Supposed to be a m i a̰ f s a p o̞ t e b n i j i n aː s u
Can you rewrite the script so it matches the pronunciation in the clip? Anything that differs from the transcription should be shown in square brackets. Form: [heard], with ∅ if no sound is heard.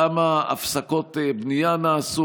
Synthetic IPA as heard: a m [a] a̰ f s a [k] o̞ t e b n i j [a] n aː s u